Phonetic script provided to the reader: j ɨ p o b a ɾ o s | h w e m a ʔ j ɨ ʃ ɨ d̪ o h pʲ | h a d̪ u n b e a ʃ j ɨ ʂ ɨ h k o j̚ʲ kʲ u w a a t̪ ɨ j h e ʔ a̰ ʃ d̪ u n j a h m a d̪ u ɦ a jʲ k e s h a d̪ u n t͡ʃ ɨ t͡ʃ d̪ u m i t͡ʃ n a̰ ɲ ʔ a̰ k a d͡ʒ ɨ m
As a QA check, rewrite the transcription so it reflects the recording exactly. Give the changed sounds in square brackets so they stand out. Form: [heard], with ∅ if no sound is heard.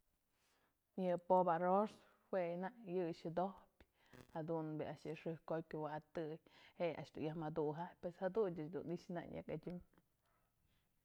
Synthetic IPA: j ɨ p o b a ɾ o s | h w e [n] a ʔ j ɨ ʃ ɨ d̪ o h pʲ | h a d̪ u n b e a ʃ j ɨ ʂ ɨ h k o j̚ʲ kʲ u w a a t̪ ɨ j h e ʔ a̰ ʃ d̪ u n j a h m a d̪ u ɦ a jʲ [p] e s h a d̪ u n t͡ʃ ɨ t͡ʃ d̪ u [n] i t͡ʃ n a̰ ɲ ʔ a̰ k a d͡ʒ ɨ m